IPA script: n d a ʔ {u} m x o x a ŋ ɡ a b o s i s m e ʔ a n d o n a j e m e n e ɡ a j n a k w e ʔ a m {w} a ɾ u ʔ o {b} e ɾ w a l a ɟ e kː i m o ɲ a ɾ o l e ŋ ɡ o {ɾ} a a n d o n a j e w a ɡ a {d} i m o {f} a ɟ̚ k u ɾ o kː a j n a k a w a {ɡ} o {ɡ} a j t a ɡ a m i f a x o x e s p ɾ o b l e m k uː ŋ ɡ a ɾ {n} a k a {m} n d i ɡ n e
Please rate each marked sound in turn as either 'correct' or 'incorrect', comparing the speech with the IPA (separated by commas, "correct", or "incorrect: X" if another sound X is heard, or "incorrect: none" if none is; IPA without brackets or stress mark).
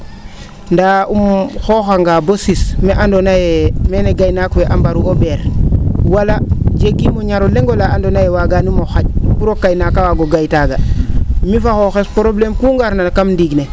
correct, incorrect: b, correct, incorrect: l, incorrect: n, incorrect: x, correct, correct, correct, correct